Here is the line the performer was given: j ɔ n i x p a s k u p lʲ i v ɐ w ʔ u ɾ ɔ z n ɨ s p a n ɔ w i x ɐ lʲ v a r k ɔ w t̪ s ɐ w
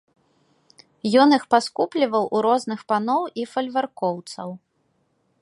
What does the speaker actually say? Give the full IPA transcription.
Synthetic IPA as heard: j ɔ n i x p a s k u p lʲ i v ɐ w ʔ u ɾ ɔ z n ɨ x p a n ɔ w i f ɐ lʲ v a r k ɔ w t̪ s ɐ w